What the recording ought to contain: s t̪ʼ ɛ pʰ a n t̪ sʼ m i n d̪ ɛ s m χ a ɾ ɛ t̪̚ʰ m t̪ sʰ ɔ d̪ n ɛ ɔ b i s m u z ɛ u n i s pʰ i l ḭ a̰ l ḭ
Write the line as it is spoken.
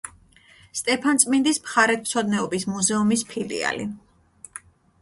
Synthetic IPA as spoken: s t̪ʼ ɛ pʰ a n t̪ sʼ m i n d̪ i s m χ a ɾ ɛ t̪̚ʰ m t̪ sʰ ɔ d̪ n ɛ ɔ b i s m u z ɛ u m i s pʰ i l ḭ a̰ l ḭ